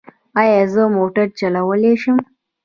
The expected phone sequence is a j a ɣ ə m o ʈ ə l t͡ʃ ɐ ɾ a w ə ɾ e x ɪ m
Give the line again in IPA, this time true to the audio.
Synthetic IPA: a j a z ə m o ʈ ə ɾ t͡ʃ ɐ l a w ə l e ʃ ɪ m